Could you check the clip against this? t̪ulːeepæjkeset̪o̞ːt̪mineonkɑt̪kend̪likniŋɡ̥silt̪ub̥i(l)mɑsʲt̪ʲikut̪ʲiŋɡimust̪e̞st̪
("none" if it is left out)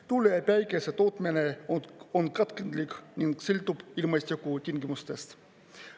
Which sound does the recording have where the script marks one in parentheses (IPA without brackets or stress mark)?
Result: l